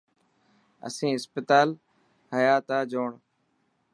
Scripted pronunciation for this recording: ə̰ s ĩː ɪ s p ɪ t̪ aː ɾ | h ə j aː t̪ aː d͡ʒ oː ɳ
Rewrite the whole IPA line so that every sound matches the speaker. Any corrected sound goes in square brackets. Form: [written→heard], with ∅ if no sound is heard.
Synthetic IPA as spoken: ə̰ s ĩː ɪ s p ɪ t̪ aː [ɾ→l] | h ə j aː t̪ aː d͡ʒ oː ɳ